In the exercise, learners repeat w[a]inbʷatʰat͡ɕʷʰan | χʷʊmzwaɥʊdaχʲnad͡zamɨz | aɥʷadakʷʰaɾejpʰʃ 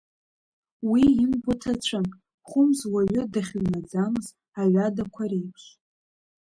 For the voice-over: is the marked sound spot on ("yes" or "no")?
no